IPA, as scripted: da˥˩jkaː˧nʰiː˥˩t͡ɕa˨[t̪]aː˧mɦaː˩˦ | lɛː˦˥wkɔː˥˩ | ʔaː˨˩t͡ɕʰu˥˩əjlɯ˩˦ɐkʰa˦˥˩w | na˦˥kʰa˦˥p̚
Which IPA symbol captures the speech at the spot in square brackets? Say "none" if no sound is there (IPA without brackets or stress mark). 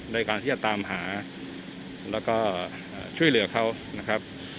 t̪